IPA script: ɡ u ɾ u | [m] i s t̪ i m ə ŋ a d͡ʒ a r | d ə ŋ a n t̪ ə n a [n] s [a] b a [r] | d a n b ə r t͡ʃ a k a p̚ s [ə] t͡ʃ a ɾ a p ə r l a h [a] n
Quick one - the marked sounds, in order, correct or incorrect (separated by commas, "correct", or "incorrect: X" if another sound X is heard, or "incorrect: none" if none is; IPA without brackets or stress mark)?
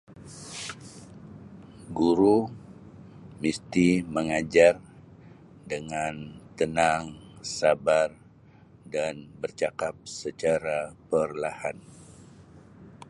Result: correct, incorrect: ŋ, correct, correct, correct, correct